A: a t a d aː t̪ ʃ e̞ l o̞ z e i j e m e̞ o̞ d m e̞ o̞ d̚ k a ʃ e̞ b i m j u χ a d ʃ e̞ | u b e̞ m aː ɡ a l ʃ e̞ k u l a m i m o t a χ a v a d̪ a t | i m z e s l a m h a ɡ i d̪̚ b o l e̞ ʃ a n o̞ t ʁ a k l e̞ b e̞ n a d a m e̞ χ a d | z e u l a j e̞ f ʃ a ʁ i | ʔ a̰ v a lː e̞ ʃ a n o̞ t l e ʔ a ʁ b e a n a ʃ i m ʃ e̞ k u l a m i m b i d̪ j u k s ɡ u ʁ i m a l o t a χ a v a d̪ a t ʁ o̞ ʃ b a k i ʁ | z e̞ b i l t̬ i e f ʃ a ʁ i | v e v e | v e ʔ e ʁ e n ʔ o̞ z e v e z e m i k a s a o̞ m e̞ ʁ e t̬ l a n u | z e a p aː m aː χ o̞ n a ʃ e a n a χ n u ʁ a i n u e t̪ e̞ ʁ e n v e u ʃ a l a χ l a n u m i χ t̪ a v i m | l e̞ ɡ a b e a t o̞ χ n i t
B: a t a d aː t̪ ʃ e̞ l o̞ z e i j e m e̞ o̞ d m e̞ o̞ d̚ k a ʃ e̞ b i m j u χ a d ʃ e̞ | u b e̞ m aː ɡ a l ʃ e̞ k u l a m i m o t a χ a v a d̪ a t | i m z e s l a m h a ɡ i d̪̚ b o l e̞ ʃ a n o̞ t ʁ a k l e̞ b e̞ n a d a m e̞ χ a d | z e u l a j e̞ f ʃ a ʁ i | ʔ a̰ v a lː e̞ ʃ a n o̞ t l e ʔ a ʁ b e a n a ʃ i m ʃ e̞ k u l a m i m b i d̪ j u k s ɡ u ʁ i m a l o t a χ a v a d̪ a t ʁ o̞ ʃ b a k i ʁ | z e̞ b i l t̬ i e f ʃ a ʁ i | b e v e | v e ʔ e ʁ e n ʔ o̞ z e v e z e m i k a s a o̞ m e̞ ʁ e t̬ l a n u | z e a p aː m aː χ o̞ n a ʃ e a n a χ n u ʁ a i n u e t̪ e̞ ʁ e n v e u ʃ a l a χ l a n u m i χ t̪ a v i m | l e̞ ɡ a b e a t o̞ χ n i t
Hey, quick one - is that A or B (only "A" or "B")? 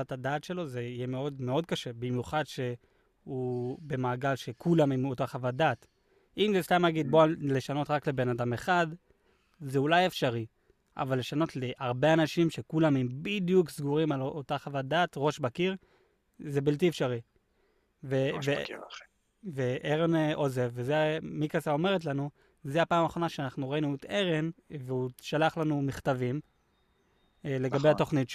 A